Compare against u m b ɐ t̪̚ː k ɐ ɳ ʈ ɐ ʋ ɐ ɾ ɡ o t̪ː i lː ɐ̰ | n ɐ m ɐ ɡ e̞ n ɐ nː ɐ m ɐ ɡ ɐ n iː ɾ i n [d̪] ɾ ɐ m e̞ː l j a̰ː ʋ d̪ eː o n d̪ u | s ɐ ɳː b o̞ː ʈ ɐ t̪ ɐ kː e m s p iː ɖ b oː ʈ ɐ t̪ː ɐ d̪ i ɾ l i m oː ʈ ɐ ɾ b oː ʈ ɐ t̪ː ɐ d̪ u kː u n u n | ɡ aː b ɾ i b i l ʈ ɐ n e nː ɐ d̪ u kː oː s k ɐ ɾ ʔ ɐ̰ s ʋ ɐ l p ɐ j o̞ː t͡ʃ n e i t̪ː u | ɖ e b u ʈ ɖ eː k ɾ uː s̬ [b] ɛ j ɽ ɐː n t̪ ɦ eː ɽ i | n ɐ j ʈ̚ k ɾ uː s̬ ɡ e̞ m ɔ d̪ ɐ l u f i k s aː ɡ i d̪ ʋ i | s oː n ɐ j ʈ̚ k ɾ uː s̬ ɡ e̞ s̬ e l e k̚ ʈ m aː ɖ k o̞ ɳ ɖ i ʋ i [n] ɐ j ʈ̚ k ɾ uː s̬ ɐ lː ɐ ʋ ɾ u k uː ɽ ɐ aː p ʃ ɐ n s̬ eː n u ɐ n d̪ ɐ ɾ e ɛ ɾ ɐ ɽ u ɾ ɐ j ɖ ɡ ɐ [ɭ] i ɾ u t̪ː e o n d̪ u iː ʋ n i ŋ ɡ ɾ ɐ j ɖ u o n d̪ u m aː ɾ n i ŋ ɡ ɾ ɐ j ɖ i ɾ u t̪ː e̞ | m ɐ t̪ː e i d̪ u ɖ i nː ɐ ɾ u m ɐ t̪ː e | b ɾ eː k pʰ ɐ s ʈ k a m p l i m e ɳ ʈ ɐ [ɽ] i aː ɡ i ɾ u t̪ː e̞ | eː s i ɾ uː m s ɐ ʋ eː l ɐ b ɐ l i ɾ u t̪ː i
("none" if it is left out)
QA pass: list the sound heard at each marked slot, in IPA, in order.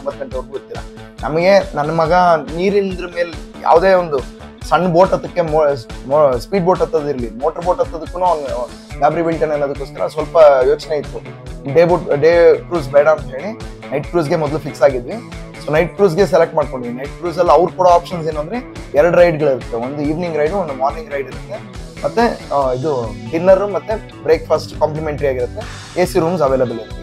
d̪, b, n, ɭ, ɾ

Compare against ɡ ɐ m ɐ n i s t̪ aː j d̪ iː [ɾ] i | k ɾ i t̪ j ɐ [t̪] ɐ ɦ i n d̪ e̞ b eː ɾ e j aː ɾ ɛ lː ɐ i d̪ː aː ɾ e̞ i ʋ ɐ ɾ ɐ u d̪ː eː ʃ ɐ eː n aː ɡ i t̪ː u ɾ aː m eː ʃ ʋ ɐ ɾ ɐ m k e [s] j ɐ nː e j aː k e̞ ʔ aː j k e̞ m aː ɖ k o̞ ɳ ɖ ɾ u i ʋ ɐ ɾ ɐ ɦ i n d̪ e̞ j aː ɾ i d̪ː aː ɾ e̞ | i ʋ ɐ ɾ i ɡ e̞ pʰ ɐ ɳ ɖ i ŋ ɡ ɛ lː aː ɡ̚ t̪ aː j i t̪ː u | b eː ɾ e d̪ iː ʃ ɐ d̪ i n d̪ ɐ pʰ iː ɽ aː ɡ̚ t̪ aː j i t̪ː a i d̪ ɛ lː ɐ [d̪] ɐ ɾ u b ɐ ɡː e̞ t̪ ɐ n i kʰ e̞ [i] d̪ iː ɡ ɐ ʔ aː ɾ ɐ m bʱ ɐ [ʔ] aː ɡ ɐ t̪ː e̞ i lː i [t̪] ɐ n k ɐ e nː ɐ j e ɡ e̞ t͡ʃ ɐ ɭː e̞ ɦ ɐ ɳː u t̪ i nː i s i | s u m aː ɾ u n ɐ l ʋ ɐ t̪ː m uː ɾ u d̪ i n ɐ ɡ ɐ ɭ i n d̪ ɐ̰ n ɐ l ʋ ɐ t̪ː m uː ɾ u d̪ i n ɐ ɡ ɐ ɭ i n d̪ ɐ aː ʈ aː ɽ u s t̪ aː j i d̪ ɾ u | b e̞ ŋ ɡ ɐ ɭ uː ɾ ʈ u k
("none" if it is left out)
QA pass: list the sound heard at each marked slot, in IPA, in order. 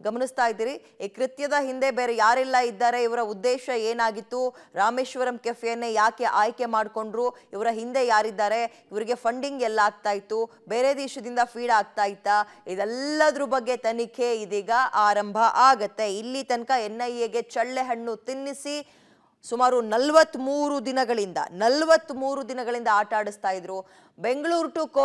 ɾ, d̪, f, d̪, i, ʔ, t̪

